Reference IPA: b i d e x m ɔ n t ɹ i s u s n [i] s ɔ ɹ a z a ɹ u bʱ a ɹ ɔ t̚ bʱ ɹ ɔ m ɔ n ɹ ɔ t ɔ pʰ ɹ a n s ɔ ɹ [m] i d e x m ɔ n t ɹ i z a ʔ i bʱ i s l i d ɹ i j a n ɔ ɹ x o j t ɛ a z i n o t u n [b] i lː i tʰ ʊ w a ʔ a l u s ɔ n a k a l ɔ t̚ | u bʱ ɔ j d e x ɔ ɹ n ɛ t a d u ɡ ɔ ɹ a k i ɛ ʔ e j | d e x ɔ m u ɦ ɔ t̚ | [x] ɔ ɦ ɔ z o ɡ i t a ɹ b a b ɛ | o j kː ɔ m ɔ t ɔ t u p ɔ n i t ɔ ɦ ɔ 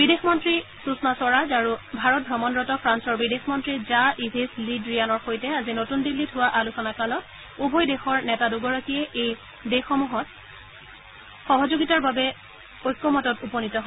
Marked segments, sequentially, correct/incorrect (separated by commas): incorrect, incorrect, incorrect, correct